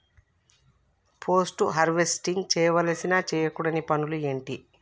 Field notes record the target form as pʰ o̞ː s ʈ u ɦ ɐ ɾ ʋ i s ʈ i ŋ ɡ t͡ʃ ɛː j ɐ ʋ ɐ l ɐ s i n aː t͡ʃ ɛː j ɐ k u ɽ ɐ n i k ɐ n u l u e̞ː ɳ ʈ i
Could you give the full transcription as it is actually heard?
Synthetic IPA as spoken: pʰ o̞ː s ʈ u ɦ ɐ ɾ ʋ e s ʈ i ŋ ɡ t͡ʃ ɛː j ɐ ʋ ɐ l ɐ s i n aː t͡ʃ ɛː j ɐ k u ɽ ɐ n i p ɐ n u l u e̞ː ɳ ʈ i